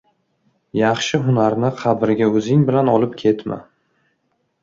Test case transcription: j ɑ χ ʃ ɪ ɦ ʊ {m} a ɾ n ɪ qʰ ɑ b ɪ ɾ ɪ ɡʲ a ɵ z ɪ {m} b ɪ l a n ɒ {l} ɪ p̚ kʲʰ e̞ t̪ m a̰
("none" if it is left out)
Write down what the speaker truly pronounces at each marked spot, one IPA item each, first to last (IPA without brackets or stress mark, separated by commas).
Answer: n, ŋ, l